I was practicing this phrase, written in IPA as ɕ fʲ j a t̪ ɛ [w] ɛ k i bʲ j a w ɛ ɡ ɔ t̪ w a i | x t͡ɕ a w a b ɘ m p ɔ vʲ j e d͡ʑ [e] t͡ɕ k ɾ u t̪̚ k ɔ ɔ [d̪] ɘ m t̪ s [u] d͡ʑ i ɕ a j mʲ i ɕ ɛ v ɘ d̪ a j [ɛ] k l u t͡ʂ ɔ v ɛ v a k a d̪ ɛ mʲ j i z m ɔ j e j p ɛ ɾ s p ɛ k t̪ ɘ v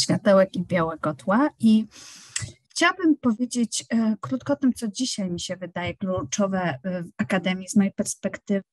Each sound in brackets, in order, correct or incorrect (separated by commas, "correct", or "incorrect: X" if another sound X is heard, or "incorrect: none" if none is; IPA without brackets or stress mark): correct, correct, incorrect: t̪, incorrect: ɔ, correct